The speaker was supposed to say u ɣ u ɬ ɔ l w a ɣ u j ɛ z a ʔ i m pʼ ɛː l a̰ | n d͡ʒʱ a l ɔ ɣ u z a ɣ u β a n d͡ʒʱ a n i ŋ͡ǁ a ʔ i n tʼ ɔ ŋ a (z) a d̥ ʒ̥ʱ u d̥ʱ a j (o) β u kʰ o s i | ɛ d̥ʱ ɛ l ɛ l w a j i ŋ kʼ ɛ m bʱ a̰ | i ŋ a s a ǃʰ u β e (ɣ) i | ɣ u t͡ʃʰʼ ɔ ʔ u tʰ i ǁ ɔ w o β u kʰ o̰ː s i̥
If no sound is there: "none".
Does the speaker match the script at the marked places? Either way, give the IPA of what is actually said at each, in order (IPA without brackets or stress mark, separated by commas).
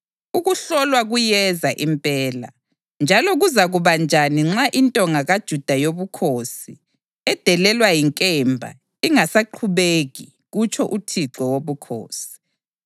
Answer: ɣ, o, ɣ